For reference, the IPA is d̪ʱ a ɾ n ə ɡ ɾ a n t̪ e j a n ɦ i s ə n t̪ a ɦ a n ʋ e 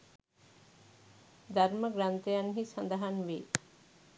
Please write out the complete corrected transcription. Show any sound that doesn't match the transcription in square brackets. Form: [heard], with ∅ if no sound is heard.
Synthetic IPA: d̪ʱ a ɾ [m] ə ɡ ɾ a n t̪ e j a n ɦ i s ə n [d̪] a ɦ a n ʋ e